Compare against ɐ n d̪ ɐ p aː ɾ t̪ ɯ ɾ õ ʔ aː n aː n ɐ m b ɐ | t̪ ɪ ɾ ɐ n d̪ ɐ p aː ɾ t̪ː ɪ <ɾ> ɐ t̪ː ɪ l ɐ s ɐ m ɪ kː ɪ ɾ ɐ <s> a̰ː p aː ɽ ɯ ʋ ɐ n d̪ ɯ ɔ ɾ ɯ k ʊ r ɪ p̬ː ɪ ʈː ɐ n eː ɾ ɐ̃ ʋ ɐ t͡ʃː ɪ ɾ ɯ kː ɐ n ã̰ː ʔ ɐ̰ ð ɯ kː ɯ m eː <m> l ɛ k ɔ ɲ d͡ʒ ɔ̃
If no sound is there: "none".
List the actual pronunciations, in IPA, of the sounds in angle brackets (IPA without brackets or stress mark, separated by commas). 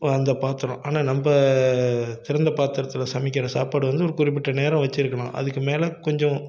ɾ, s, none